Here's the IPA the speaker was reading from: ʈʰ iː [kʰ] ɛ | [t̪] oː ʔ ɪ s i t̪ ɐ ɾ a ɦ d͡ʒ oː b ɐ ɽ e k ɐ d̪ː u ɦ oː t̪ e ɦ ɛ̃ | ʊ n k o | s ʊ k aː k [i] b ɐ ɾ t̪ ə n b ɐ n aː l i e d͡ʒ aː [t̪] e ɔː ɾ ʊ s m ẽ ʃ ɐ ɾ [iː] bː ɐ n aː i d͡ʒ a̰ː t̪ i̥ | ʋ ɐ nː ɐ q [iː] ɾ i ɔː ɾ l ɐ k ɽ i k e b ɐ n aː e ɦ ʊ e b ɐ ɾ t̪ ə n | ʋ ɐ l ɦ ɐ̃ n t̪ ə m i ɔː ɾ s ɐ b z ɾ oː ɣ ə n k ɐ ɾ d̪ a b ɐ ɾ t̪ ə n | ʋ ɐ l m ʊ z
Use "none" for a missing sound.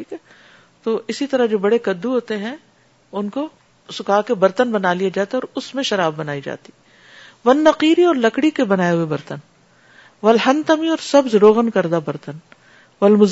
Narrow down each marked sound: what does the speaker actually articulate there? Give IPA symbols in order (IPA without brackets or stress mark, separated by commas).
k, t̪, e, t̪, aː, iː